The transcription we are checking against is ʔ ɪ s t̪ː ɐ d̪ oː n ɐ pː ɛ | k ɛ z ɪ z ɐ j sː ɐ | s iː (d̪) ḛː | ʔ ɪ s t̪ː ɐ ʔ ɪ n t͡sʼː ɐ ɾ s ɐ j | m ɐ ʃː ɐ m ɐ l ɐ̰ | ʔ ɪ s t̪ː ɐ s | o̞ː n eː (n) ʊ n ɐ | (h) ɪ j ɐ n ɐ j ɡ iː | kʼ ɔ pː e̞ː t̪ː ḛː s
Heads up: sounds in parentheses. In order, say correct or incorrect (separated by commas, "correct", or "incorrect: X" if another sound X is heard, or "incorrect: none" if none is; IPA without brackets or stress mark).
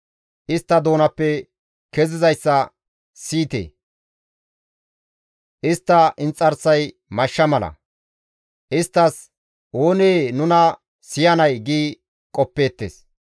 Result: incorrect: t̪, correct, incorrect: s